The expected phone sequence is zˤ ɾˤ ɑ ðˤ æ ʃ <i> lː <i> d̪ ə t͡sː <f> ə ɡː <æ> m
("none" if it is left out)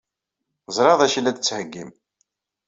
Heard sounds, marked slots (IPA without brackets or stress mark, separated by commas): i, æ, h, i